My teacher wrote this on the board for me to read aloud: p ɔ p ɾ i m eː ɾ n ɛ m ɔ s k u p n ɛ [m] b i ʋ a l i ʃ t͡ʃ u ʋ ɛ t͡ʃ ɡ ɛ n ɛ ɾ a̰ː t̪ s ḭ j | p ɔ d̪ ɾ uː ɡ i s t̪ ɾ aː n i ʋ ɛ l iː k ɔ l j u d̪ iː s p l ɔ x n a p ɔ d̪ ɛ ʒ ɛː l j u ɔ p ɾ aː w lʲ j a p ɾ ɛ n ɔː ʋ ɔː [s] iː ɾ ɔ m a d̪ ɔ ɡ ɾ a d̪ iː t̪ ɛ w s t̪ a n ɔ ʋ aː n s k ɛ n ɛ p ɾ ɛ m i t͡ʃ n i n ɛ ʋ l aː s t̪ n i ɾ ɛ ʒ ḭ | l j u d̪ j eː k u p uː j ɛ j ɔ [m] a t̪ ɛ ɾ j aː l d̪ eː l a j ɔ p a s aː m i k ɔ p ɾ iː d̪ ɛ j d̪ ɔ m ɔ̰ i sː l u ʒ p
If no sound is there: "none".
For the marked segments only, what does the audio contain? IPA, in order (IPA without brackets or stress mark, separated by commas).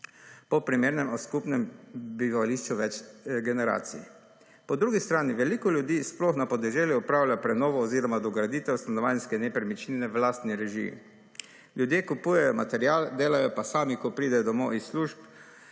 m, z, m